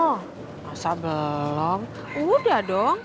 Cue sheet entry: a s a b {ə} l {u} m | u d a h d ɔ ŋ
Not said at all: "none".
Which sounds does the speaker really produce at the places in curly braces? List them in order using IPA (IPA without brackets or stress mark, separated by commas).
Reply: ə, ɔ